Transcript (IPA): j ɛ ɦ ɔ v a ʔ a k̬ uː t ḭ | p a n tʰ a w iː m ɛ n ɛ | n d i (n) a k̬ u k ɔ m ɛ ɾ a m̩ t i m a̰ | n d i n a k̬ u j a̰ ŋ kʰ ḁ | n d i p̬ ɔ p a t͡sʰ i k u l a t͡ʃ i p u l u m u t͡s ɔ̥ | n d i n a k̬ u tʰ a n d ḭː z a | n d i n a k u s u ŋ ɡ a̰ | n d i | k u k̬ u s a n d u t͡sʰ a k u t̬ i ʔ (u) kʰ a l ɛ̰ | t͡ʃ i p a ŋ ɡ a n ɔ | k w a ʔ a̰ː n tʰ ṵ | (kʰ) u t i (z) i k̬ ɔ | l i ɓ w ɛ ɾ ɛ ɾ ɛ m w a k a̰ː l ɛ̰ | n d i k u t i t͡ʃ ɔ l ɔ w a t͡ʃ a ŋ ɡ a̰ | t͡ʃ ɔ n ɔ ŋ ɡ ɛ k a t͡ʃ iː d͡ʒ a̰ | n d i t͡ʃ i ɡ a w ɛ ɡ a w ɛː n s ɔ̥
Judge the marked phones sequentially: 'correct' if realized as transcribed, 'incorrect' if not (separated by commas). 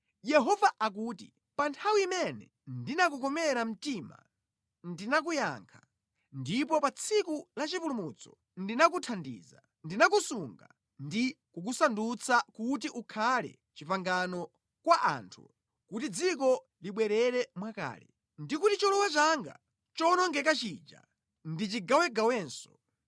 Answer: correct, correct, incorrect, incorrect